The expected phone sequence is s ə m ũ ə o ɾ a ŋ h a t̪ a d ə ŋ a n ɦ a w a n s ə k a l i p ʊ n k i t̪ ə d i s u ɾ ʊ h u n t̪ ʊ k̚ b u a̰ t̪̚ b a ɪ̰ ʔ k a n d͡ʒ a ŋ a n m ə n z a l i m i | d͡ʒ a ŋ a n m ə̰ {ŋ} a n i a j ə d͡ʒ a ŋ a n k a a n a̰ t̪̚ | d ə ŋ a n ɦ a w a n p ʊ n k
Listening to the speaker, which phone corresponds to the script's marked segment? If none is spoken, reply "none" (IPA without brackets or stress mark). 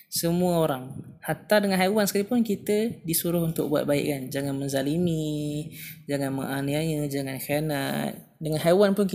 ŋ